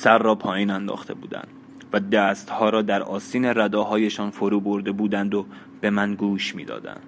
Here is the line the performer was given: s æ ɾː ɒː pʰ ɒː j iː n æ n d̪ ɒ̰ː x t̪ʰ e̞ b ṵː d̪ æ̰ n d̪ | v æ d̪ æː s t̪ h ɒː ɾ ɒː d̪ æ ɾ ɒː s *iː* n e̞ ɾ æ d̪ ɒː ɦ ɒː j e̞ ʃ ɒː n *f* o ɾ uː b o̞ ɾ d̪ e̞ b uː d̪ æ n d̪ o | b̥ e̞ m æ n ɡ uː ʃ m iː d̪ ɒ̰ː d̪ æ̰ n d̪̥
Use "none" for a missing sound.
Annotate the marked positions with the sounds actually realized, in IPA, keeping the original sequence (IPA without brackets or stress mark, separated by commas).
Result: iː, f